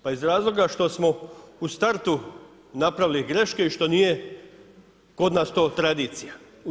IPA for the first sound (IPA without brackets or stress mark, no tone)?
p